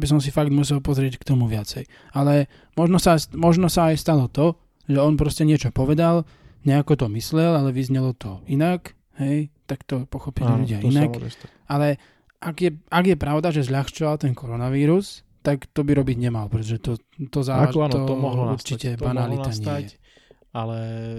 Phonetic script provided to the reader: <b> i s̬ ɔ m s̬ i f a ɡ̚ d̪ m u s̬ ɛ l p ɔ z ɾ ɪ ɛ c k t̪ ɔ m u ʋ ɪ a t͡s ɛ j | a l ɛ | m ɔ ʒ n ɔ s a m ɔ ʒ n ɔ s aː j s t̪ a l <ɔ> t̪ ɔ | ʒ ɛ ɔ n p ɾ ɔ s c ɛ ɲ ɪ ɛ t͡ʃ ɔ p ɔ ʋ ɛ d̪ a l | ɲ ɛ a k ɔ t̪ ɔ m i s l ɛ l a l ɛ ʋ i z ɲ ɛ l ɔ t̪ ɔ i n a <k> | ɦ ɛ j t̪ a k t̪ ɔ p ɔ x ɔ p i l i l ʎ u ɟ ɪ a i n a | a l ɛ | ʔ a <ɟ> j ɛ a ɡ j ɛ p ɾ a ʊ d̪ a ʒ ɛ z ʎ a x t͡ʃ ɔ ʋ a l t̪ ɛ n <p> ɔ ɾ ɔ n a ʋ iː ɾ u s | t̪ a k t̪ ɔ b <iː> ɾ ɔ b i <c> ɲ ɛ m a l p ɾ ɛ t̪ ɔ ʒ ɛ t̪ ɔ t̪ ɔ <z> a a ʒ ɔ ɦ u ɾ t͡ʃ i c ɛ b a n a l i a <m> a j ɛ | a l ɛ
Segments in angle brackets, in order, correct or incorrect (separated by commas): correct, correct, correct, incorrect, incorrect, incorrect, incorrect, correct, incorrect